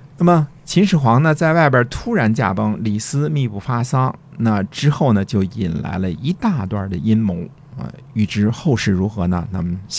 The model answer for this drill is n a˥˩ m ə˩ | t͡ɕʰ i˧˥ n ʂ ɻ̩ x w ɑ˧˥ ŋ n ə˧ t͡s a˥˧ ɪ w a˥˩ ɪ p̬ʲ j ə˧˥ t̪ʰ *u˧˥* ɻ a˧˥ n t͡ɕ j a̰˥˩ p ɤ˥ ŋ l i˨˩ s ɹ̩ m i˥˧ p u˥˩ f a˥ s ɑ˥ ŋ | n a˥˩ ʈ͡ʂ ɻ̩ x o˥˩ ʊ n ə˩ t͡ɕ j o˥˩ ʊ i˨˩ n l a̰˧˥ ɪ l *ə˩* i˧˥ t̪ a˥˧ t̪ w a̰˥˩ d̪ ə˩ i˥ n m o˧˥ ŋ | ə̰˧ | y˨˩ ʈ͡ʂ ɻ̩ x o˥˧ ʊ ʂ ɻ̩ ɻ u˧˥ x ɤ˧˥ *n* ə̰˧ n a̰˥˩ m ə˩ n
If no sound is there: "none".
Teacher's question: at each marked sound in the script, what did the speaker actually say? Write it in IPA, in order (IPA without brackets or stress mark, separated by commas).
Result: u˥, ə˧, n